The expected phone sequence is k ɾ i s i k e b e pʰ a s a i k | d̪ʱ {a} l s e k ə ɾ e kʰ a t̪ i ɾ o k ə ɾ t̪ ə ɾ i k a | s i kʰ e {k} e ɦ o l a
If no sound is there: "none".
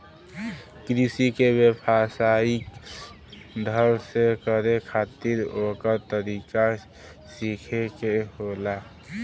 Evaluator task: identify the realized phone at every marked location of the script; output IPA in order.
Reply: ə, k

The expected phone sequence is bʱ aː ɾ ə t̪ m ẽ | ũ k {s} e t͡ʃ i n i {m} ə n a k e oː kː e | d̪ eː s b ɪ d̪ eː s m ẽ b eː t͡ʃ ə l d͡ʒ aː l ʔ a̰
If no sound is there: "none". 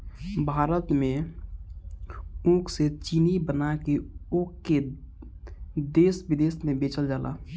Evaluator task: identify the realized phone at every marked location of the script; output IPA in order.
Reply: s, b

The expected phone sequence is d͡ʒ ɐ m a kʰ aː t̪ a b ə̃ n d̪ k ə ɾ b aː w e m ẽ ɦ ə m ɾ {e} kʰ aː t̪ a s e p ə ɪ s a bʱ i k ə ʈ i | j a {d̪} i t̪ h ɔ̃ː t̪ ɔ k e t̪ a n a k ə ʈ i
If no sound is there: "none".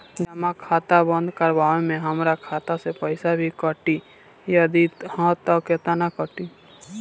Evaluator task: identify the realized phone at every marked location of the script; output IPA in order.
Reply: a, d̪

